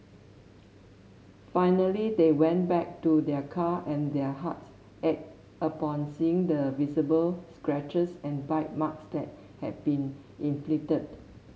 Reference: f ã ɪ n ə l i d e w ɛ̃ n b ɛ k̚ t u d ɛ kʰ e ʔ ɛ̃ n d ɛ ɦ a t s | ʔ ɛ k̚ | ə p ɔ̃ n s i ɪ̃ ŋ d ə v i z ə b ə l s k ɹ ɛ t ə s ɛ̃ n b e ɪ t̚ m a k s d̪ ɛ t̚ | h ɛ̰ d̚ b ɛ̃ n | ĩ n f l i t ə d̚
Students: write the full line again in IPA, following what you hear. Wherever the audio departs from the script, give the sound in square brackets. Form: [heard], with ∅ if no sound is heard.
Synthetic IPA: f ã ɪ n ə l i d e w ɛ̃ n b ɛ k̚ t u d ɛ kʰ [a] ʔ ɛ̃ n d ɛ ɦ a t s | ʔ ɛ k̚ | ə p ɔ̃ n s i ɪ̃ ŋ d ə v i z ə b ə l s k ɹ ɛ [t͡ʃ] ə s ɛ̃ n b [a] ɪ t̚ m a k s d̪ ɛ t̚ | h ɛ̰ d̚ b [ĩ] n | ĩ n f l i t ə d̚